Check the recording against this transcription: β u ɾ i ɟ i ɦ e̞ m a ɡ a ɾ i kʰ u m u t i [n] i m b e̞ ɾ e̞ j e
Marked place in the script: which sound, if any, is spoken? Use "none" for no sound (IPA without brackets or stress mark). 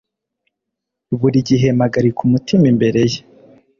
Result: m